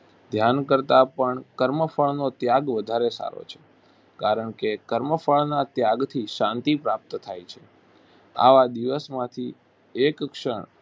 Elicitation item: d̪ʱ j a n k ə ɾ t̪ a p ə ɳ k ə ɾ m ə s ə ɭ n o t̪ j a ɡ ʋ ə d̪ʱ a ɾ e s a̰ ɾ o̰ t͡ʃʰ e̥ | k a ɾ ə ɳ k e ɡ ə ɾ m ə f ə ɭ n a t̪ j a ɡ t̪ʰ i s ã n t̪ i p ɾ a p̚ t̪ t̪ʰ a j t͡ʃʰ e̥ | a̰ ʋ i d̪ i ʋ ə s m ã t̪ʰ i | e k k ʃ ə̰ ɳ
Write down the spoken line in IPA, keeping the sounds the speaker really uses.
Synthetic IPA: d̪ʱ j a n k ə ɾ t̪ a p ə ɳ k ə ɾ m ə f ə ɭ n o t̪ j a ɡ ʋ ə d̪ʱ a ɾ e s a̰ ɾ o̰ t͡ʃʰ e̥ | k a ɾ ə ɳ k e k ə ɾ m ə f ə ɭ n a t̪ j a ɡ t̪ʰ i ʃ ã n t̪ i p ɾ a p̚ t̪ t̪ʰ a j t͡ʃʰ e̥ | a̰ ʋ a d̪ i ʋ ə s m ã t̪ʰ i | e k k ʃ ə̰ ɳ